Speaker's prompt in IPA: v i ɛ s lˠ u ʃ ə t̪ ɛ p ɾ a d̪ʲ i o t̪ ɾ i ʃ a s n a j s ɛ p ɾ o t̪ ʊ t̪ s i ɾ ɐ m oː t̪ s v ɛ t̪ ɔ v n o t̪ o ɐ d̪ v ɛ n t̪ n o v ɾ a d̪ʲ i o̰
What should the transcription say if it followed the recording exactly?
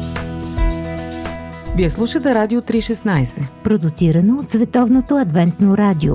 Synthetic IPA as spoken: v i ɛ s lˠ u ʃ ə t̪ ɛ ɾ a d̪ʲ i o t̪ ɾ i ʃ ɛ s n a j s ɛ p ɾ o d̪ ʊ t̪ s i ɾ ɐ n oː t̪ s v ɛ t̪ ɔ v n o t̪ o ɐ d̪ v ɛ n t̪ n o ɾ a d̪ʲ i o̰